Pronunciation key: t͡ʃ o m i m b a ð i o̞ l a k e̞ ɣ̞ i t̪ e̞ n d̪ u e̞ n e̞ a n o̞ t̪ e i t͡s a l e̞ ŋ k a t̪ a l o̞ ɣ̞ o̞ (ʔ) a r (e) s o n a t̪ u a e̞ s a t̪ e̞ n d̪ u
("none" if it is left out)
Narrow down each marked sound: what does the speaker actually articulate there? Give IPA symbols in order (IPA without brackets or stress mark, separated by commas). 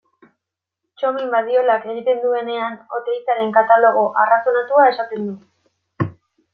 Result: ʔ, a